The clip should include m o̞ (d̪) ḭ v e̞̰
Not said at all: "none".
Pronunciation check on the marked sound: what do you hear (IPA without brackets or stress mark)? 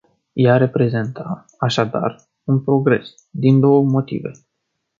t̪